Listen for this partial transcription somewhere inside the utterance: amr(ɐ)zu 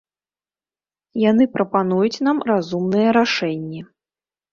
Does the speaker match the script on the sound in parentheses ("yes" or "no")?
no